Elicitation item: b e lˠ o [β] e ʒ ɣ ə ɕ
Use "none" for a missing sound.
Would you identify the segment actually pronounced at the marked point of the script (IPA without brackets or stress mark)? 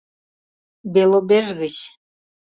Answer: b